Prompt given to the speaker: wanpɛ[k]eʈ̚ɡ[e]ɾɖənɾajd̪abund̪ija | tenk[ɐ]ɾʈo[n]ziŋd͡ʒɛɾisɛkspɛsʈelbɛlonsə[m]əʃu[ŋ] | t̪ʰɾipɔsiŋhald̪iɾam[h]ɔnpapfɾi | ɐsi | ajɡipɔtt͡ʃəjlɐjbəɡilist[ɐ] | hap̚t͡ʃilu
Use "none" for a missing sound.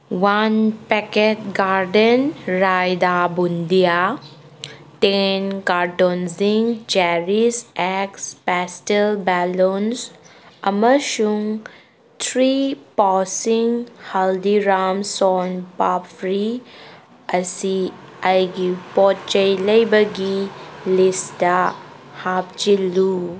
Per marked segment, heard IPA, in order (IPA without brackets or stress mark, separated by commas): k, a, a, n, m, ŋ, s, a